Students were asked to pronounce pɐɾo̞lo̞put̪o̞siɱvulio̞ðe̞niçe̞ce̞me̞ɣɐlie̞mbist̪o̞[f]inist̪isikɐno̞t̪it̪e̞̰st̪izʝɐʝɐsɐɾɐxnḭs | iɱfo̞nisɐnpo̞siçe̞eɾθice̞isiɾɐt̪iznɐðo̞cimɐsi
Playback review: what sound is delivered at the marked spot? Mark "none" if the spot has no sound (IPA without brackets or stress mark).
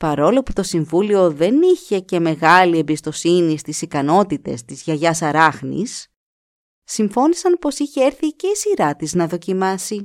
s